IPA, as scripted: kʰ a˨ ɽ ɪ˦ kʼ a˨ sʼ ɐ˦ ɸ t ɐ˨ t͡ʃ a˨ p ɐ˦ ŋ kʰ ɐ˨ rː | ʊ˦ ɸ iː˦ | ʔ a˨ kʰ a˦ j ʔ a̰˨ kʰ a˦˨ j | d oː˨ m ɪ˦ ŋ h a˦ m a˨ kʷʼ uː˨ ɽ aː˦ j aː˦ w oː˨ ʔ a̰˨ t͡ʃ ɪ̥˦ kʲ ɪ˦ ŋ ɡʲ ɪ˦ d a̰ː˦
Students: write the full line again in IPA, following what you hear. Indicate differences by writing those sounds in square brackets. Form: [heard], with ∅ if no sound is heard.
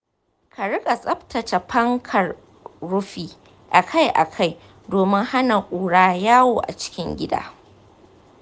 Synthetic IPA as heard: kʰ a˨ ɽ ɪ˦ kʼ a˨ sʼ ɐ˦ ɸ t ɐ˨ t͡ʃ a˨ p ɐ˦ ŋ kʰ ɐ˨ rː | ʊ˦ ɸ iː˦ | ʔ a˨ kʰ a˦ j ʔ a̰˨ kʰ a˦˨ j | d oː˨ m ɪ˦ ŋ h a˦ [n] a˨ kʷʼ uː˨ ɽ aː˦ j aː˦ w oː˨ ʔ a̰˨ t͡ʃ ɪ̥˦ kʲ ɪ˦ ŋ ɡʲ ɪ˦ d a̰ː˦